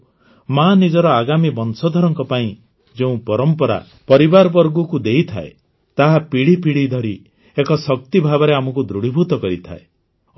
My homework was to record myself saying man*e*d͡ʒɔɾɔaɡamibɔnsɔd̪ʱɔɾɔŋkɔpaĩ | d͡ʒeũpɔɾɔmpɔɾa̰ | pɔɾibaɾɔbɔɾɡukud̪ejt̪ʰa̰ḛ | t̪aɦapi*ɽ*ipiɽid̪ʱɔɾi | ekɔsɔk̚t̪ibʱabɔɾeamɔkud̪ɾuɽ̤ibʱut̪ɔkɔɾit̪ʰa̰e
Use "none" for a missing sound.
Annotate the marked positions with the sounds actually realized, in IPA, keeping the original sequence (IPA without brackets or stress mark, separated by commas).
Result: i, ɽ